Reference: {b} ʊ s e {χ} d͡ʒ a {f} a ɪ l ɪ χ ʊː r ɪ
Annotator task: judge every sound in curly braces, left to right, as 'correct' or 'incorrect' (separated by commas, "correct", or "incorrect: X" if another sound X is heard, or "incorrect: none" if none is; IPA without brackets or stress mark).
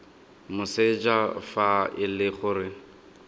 incorrect: m, incorrect: none, correct